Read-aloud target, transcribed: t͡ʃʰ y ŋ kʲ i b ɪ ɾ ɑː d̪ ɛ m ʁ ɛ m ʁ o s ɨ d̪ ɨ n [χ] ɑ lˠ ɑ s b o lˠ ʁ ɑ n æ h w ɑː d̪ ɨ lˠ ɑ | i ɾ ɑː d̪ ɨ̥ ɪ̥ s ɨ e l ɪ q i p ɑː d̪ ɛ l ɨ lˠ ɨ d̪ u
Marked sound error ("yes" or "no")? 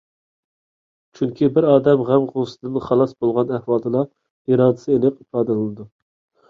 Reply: no